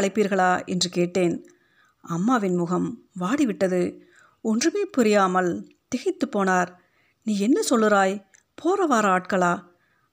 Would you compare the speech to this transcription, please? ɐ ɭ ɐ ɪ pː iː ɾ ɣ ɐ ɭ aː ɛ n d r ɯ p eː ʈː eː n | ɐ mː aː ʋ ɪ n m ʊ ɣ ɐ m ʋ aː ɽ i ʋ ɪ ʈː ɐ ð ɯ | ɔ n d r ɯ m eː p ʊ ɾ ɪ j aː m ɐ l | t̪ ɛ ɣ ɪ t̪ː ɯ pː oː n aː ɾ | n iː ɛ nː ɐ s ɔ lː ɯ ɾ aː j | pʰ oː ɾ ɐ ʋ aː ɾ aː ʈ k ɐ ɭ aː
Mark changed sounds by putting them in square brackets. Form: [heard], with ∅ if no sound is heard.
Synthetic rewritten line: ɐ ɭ ɐ ɪ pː iː ɾ ɣ ɐ ɭ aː ɛ n d r ɯ [k] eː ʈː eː n | ɐ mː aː ʋ ɪ n m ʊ ɣ ɐ m ʋ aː ɽ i ʋ ɪ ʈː ɐ ð ɯ | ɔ n d r ɯ m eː p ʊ ɾ ɪ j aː m ɐ l | t̪ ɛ ɣ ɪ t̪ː ɯ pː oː n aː ɾ | n iː ɛ nː ɐ s ɔ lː ɯ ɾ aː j | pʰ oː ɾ ɐ ʋ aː ɾ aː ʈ k ɐ ɭ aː